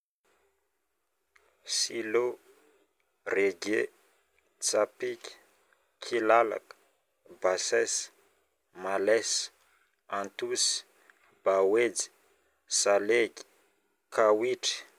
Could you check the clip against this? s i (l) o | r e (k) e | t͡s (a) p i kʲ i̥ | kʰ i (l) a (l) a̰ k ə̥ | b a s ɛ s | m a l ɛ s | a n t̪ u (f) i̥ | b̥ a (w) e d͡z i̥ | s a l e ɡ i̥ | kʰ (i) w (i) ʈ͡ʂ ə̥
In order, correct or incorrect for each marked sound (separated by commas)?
correct, incorrect, correct, correct, correct, incorrect, correct, incorrect, correct